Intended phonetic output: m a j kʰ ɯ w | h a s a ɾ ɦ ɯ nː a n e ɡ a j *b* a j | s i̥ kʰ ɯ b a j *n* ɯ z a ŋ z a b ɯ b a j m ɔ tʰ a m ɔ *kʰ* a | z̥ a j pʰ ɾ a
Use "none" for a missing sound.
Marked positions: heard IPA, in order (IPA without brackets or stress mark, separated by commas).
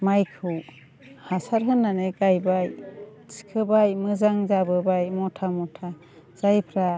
b, m, tʰ